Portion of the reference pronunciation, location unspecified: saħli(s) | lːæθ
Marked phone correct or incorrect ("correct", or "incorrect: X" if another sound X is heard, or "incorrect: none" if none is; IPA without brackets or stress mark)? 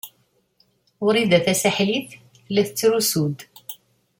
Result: incorrect: θ